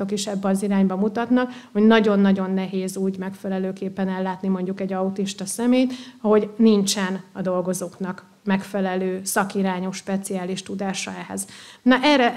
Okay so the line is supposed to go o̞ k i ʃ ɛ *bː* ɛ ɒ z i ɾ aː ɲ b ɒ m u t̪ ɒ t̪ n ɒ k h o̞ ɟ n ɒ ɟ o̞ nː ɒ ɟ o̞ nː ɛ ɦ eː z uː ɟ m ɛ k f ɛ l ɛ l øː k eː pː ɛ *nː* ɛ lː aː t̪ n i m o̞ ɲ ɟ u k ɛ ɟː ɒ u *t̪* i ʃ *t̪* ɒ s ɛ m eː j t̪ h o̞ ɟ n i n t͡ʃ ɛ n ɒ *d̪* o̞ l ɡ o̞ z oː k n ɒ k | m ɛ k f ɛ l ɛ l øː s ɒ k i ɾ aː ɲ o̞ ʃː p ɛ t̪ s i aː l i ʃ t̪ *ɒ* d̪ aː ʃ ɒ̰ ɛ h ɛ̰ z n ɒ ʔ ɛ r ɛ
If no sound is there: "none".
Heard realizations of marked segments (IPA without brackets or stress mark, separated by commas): bː, n, t̪, t̪, d̪, u